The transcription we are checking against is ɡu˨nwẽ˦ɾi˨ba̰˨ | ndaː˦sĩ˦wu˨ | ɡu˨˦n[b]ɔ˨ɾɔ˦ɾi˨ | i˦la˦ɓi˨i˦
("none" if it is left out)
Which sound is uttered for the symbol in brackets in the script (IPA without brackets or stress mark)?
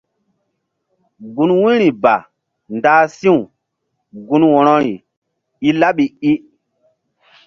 w